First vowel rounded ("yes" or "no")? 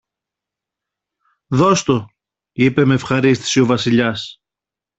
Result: yes